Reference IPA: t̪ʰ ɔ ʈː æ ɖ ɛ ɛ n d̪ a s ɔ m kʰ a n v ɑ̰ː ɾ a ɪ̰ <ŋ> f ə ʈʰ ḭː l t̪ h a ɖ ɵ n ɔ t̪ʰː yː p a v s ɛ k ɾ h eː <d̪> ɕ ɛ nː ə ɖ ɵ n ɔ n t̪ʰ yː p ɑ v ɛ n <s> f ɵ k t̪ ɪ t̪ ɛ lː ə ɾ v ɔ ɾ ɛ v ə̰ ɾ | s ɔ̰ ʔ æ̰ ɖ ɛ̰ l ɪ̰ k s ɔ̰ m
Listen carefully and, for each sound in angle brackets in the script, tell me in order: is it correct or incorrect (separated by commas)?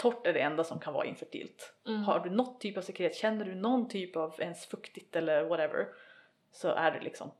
incorrect, incorrect, correct